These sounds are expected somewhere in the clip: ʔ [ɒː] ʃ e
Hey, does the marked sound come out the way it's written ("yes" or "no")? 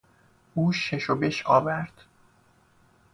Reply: no